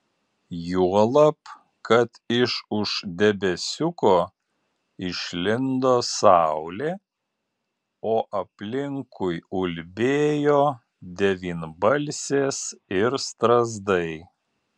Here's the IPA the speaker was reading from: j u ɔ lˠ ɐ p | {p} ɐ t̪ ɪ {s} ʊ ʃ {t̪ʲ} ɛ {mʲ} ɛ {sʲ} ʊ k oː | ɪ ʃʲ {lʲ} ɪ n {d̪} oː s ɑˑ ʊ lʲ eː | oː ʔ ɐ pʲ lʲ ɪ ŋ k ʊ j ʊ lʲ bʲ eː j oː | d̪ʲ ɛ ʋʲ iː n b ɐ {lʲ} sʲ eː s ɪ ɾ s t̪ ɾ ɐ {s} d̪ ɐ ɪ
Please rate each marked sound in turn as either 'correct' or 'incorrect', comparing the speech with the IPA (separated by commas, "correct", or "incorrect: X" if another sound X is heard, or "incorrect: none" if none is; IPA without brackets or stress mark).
incorrect: k, incorrect: ʃ, incorrect: d̪ʲ, incorrect: bʲ, correct, correct, correct, correct, incorrect: z